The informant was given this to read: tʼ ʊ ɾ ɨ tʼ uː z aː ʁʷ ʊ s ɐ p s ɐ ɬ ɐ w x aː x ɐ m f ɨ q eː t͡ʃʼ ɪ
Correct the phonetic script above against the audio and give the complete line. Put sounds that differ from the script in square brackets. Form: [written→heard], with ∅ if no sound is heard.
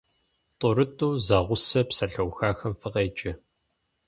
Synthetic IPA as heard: tʼ ʊ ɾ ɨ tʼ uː z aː ʁʷ ʊ s ɐ p s ɐ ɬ ɐ w x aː x ɐ m f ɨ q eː t͡ʃʼ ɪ